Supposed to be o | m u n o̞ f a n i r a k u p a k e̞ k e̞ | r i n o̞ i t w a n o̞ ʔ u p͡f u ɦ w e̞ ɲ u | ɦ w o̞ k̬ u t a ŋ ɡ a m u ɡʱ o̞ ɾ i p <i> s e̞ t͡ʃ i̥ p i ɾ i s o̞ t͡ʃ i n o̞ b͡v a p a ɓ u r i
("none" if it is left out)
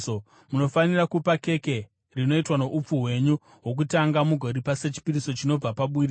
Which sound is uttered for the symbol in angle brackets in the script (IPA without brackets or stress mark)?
a